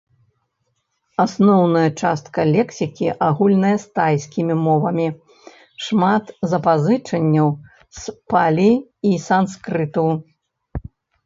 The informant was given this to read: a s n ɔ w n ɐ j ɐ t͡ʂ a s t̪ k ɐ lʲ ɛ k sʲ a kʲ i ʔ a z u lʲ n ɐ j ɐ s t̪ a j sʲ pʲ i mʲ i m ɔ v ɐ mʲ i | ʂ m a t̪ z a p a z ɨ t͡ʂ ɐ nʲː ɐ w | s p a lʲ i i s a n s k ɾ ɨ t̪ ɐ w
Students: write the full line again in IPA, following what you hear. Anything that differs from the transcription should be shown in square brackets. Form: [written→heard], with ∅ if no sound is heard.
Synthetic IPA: a s n ɔ w n ɐ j ɐ t͡ʂ a s t̪ k ɐ lʲ ɛ k sʲ [a→i] kʲ i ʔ a [z→ɣ] u lʲ n ɐ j ɐ s t̪ a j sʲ [pʲ→kʲ] i mʲ i m ɔ v ɐ mʲ i | ʂ m a t̪ z [a→ɐ] p a z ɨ t͡ʂ ɐ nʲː ɐ w | s p a lʲ i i s a n s k ɾ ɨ t̪ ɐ w

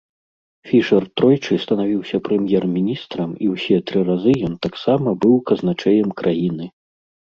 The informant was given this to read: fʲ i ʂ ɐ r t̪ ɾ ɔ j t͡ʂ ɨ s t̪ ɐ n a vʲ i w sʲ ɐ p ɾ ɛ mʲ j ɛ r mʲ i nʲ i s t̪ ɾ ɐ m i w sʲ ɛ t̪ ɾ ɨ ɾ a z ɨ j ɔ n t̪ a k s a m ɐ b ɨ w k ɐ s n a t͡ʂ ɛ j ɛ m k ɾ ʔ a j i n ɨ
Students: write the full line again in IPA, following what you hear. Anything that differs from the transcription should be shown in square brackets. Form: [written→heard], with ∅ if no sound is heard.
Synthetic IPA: fʲ i ʂ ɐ r t̪ ɾ ɔ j t͡ʂ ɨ s t̪ ɐ n a vʲ i w sʲ ɐ p ɾ ɛ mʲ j ɛ r mʲ i nʲ i s t̪ ɾ ɐ m i w sʲ ɛ t̪ ɾ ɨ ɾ a z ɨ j ɔ n t̪ a k s a m ɐ b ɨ w k ɐ [s→z] n a t͡ʂ ɛ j ɛ m k ɾ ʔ a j i n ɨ

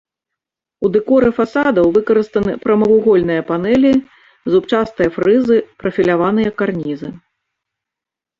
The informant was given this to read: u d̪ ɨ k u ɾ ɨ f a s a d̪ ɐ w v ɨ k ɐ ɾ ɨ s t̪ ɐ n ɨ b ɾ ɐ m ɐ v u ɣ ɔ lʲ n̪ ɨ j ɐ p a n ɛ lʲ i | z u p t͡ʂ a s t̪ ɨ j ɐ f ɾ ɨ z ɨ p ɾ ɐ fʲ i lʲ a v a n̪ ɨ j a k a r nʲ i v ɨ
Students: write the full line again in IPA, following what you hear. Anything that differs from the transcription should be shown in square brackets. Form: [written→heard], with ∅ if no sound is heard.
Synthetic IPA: u d̪ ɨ k [u→ɔ] ɾ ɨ f a s a d̪ ɐ w v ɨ k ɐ ɾ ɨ s t̪ ɐ n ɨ [b→p] ɾ ɐ m ɐ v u ɣ ɔ lʲ n̪ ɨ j ɐ p a n ɛ lʲ i | z u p t͡ʂ a s t̪ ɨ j ɐ f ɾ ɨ z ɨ p ɾ ɐ fʲ i lʲ a v a n̪ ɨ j [a→ɐ] k a r nʲ i [v→z] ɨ

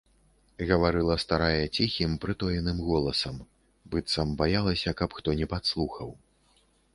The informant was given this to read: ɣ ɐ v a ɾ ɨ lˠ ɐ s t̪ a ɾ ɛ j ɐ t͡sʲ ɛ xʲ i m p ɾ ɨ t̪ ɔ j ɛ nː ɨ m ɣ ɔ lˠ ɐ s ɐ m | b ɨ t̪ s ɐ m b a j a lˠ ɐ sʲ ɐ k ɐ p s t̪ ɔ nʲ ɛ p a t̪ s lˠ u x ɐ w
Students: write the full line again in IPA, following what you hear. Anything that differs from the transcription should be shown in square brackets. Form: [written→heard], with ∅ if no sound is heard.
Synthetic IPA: ɣ ɐ v a ɾ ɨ lˠ ɐ s t̪ a ɾ [ɛ→a] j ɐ t͡sʲ [ɛ→i] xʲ i m p ɾ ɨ t̪ ɔ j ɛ [nː→n] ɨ m ɣ ɔ lˠ ɐ s ɐ m | b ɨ t̪ s ɐ m b a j a lˠ ɐ sʲ ɐ k ɐ p [s→x] t̪ ɔ nʲ ɛ p a t̪ s lˠ u x ɐ w

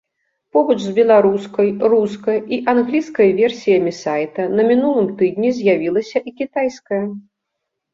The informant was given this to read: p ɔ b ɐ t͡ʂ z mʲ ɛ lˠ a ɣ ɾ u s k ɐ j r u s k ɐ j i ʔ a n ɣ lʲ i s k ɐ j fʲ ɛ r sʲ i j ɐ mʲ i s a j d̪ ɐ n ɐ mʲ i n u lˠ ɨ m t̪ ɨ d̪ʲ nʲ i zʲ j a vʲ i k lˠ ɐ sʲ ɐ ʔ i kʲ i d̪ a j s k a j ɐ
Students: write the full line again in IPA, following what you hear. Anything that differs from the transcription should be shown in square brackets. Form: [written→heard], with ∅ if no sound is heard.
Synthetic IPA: p ɔ b ɐ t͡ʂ z [mʲ→bʲ] ɛ lˠ a [ɣ→∅] ɾ u s k ɐ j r u s k ɐ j i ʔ a n ɣ lʲ i s k ɐ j [fʲ→vʲ] ɛ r sʲ i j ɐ mʲ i s a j [d̪→t̪] ɐ n ɐ mʲ i n u lˠ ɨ m t̪ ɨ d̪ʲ nʲ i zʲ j a vʲ i [k→∅] lˠ ɐ sʲ ɐ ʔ i kʲ i [d̪→t̪] a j s k [a→ɐ] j ɐ

